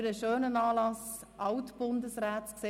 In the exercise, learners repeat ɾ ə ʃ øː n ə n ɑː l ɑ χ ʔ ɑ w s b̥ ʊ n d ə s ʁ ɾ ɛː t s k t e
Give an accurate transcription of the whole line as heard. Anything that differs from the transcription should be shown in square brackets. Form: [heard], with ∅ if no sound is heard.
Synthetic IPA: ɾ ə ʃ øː n ə n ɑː l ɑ [s] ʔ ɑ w [t] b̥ ʊ n d ə s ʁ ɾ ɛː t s k [s] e